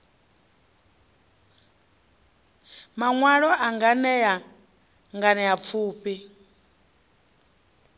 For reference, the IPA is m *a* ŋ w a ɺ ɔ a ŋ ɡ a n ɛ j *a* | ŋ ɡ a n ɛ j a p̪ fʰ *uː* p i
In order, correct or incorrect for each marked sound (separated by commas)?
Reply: correct, correct, correct